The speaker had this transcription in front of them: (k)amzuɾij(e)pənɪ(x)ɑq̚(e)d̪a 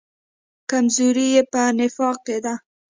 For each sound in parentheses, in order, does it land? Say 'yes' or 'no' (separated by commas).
yes, yes, no, yes